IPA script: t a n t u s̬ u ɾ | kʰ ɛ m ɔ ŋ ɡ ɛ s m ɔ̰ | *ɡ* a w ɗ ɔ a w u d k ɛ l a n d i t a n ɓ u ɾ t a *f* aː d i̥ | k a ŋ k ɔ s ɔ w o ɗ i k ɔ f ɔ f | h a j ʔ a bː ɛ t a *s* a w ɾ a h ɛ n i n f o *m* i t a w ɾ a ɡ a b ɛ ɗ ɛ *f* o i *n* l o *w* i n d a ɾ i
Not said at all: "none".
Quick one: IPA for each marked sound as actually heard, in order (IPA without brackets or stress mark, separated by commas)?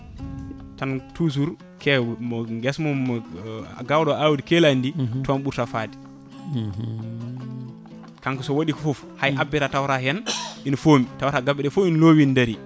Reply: ɡ, f, t, m, f, n, w